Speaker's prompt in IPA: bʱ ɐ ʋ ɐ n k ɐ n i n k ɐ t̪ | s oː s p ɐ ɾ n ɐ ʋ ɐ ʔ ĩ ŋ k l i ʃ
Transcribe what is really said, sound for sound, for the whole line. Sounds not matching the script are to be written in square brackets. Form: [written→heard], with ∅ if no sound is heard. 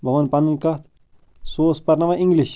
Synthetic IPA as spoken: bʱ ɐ ʋ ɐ n [k→p] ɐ n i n k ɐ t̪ | s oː s p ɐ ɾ n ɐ ʋ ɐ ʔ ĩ ŋ [k→ɡ] l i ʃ